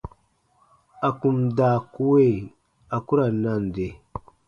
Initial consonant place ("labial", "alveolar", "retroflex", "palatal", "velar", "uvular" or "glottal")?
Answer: velar